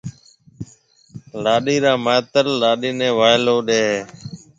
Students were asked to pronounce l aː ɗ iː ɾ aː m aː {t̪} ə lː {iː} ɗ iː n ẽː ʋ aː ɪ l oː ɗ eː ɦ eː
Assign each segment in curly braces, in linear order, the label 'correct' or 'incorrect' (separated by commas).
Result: correct, incorrect